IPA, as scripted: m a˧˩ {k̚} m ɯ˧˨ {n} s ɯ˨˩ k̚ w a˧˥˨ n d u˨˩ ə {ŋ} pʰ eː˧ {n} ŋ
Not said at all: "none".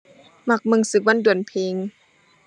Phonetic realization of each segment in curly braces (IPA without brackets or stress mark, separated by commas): k̚, ŋ, n, none